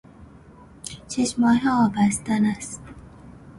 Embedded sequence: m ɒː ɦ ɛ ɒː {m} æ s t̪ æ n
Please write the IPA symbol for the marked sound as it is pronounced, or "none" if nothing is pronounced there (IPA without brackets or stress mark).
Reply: b